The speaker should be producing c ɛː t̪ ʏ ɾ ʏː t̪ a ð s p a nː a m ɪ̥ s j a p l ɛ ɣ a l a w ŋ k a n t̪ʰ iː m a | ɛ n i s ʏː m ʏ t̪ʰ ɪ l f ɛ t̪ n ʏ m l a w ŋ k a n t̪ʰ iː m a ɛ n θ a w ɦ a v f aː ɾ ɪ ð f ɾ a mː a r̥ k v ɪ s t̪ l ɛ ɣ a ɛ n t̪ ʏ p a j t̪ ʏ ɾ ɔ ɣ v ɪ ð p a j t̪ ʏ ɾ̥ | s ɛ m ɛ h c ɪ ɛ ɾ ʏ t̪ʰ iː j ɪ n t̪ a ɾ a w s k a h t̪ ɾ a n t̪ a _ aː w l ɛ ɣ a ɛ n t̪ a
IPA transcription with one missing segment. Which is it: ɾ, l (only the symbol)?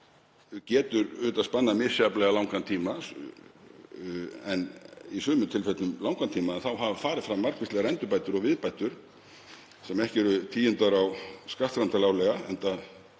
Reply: l